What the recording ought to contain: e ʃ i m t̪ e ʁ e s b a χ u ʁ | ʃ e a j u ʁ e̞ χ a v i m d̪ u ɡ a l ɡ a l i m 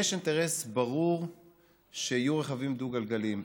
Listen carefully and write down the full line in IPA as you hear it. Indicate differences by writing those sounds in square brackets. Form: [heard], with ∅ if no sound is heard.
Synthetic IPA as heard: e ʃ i [n] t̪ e ʁ e s b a [ʁ] u ʁ | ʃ e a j u ʁ e̞ χ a v i m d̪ u ɡ a l ɡ a l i m